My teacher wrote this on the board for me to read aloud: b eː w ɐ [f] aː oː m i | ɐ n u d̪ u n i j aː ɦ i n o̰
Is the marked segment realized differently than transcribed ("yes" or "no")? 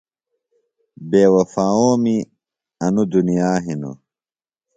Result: no